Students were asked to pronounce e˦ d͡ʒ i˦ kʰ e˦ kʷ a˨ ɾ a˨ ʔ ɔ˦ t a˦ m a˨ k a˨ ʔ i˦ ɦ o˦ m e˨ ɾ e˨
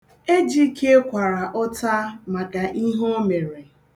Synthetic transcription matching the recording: e˦ d͡ʒ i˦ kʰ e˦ kʷ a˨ ɾ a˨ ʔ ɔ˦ t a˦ m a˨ k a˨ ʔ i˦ ɦ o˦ m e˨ ɾ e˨